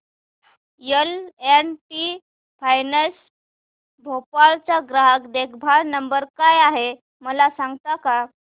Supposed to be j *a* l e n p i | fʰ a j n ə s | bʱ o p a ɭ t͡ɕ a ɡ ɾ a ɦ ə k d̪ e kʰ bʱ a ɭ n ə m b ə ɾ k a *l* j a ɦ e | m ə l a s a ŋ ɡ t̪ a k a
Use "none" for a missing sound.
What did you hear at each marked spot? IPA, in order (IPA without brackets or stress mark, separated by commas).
ə, none